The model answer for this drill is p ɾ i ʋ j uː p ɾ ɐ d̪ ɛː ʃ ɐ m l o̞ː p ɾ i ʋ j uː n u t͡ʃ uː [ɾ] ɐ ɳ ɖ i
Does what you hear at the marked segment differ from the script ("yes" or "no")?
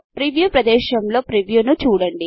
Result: yes